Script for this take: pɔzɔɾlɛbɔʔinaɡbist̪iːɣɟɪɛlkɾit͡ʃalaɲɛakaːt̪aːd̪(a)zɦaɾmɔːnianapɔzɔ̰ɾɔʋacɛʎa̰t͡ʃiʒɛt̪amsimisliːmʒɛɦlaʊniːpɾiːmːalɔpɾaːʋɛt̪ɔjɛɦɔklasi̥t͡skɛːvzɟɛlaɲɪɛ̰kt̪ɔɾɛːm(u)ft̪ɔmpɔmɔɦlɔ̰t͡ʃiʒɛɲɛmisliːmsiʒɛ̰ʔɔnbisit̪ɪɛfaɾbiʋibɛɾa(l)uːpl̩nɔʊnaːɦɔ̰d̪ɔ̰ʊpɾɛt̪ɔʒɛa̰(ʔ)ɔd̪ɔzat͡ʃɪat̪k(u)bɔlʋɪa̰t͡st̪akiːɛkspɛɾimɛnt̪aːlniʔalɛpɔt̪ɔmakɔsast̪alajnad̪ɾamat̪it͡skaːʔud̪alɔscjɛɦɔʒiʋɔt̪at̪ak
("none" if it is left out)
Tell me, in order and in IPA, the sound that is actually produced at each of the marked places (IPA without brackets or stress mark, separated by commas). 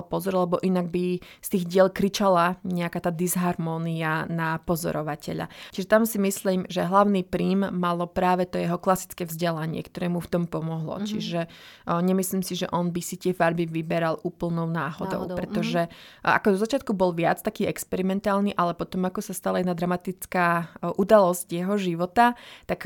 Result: i, u, l, k, u